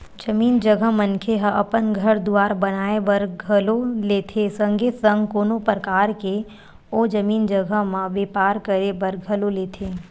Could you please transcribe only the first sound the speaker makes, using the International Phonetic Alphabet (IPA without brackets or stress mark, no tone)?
d͡ʒ